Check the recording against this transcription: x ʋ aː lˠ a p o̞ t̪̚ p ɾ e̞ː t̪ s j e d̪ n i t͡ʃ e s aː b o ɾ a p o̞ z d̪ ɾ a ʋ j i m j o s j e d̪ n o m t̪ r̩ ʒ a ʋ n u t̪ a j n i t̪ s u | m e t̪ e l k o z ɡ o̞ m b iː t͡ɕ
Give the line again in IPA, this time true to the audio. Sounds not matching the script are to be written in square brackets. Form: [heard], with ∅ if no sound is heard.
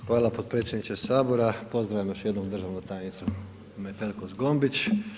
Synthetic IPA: x ʋ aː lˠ a p o̞ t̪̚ p ɾ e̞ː t̪ s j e d̪ n i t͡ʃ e s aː b o ɾ a p o̞ z d̪ ɾ a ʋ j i m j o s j e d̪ n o m [d̪] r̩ ʒ a ʋ n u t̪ a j n i t̪ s u | m e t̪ e l k o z ɡ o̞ m b [i] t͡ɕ